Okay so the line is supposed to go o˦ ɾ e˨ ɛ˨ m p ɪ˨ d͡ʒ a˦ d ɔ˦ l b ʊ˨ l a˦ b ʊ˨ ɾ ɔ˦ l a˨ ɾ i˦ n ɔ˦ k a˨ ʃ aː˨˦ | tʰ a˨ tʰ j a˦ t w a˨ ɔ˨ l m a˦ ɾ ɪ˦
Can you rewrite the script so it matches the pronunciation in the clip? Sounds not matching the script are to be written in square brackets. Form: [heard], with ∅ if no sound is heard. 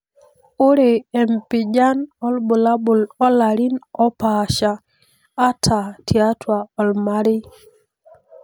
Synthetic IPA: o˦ ɾ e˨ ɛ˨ m p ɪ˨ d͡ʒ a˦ [n] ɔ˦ l b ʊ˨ l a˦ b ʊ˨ [l] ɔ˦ l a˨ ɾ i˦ n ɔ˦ [p] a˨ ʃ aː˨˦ | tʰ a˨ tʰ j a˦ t w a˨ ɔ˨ l m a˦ ɾ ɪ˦

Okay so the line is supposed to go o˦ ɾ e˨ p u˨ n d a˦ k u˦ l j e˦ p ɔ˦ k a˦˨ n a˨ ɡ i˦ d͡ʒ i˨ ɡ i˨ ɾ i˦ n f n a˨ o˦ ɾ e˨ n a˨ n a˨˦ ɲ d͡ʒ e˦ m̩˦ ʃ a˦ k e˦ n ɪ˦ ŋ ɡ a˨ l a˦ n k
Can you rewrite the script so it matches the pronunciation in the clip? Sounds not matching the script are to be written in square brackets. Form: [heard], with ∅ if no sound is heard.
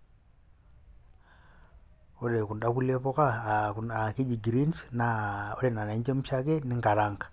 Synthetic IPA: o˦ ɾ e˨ [k] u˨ n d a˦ k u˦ l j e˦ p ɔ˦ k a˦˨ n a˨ [k] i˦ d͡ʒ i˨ ɡ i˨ ɾ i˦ n [s] n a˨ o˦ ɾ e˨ n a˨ n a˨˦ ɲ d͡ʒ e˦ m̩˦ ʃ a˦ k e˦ n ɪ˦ ŋ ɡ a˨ [ɾ] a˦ [ŋ] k

